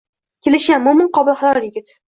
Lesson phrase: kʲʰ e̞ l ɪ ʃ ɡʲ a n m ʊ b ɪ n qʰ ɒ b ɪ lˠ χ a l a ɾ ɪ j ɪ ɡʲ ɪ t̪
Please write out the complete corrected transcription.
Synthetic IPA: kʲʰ e̞ l ɪ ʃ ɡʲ a n m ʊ m ɪ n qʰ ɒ b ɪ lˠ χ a l a ɾ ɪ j ɪ ɡʲ ɪ t̪